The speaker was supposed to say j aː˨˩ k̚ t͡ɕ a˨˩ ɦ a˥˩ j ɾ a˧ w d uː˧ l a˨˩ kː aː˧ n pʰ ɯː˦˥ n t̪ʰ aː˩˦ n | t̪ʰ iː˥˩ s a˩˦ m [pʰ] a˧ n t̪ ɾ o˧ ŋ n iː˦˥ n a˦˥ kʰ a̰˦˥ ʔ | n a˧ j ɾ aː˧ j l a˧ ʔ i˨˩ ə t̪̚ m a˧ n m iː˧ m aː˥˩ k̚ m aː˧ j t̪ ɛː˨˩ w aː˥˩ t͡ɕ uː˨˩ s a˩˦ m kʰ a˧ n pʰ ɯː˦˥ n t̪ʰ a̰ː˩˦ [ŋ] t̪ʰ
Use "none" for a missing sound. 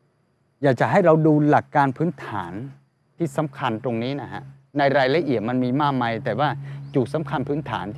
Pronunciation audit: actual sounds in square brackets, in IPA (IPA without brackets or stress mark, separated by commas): kʰ, n